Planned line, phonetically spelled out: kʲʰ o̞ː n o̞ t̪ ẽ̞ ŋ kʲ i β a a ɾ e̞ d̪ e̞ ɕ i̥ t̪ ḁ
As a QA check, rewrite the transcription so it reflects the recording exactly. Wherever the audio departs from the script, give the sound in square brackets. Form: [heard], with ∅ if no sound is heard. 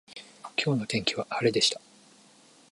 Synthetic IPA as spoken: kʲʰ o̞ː n o̞ t̪ ẽ̞ ŋ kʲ i β a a ɾ e̞ d̪ e̞ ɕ i̥ t̪ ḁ